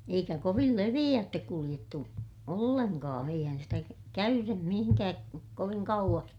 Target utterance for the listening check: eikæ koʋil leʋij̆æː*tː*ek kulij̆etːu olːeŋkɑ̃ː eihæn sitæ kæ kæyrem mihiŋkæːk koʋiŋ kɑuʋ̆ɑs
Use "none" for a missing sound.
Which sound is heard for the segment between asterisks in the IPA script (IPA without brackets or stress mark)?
tː